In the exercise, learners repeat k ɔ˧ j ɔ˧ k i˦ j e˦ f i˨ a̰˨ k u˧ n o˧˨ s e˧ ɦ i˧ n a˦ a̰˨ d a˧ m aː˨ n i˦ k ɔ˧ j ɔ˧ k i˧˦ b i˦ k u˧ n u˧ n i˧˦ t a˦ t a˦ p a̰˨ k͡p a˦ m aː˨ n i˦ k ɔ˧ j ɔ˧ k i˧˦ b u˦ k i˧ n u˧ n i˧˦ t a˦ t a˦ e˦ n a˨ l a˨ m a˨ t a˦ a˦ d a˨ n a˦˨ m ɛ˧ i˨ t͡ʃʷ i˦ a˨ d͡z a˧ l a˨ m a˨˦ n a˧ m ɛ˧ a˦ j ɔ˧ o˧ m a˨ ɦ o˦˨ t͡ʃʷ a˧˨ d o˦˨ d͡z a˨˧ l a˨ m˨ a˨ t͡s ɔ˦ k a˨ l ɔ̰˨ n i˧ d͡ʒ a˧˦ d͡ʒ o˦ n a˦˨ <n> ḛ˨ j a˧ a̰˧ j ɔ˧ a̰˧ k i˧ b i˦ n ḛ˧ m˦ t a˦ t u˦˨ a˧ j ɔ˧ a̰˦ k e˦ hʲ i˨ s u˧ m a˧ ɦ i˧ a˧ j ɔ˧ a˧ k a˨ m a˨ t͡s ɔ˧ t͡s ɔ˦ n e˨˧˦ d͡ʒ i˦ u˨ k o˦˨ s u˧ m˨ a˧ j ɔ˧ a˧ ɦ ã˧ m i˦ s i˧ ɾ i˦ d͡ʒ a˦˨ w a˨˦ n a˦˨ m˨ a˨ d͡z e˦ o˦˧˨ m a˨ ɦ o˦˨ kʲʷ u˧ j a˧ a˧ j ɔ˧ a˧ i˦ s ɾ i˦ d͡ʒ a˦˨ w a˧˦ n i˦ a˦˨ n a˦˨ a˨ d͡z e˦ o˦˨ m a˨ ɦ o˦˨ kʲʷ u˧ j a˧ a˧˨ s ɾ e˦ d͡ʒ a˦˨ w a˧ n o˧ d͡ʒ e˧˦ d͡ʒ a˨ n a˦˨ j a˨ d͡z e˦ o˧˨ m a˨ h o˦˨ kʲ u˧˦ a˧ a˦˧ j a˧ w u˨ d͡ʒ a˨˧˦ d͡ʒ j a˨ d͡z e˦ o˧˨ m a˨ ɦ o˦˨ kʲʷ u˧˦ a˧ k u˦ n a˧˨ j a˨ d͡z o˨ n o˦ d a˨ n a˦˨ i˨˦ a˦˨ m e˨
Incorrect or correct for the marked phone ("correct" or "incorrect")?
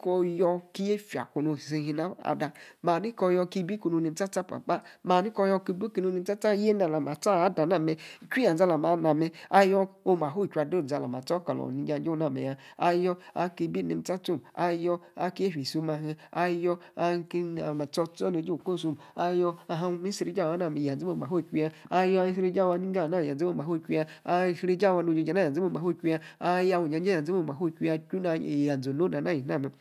incorrect